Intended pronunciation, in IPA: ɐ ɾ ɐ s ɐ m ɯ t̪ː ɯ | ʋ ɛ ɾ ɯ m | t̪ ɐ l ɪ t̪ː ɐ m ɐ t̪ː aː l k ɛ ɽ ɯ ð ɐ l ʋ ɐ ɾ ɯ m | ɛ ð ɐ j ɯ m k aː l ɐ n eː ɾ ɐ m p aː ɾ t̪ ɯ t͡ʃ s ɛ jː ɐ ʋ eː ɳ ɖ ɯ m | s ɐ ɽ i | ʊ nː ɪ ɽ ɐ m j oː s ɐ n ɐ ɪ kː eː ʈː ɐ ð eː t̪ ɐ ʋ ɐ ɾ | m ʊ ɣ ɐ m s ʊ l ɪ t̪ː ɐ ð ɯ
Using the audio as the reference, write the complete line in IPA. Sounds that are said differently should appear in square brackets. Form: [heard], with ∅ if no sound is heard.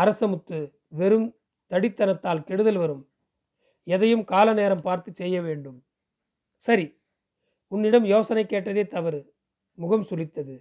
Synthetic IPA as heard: ɐ ɾ ɐ s ɐ m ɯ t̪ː ɯ | ʋ ɛ ɾ ɯ m | t̪ ɐ [ɽ] ɪ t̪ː ɐ [n] ɐ t̪ː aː l k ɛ ɽ ɯ ð ɐ l ʋ ɐ ɾ ɯ m | ɛ ð ɐ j ɯ m k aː l ɐ n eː ɾ ɐ m p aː ɾ t̪ ɯ t͡ʃ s ɛ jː ɐ ʋ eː ɳ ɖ ɯ m | s ɐ [ɾ] i | ʊ nː ɪ ɽ ɐ m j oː s ɐ n ɐ ɪ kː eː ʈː ɐ ð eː t̪ ɐ ʋ ɐ ɾ | m ʊ ɣ ɐ m s ʊ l ɪ t̪ː ɐ ð ɯ